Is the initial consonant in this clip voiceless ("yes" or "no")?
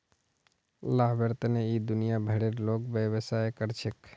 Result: no